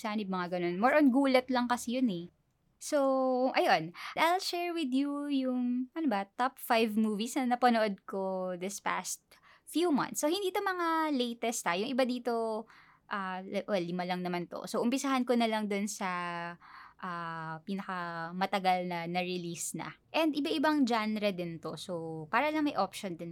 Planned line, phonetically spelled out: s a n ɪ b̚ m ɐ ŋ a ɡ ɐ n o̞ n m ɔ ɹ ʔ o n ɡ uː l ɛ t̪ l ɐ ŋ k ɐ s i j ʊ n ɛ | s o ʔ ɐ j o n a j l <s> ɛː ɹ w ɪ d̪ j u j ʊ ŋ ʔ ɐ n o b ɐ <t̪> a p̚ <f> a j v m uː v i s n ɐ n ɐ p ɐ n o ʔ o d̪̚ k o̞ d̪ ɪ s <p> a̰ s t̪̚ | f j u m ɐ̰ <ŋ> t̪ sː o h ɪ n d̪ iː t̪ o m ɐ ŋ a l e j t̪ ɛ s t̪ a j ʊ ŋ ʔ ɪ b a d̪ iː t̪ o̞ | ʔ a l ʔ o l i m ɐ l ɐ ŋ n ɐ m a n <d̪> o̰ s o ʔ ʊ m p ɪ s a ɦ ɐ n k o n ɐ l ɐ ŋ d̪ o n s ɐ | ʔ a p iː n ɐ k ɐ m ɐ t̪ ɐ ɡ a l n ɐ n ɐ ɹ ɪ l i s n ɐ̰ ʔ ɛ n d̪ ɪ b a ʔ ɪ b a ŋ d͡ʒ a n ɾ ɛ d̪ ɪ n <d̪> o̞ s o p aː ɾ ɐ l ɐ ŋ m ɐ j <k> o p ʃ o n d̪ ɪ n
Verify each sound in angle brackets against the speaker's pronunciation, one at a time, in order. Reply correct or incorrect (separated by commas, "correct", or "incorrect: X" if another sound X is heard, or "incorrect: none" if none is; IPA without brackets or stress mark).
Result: incorrect: ʃ, correct, correct, correct, incorrect: n, incorrect: t̪, incorrect: t̪, incorrect: ʔ